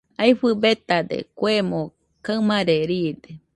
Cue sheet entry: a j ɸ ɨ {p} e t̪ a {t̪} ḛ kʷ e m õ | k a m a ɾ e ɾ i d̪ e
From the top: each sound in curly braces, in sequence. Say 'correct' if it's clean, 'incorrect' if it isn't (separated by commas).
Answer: incorrect, incorrect